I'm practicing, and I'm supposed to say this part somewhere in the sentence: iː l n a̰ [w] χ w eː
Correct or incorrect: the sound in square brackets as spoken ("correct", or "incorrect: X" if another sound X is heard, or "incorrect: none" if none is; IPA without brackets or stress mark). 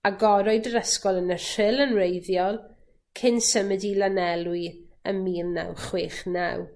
correct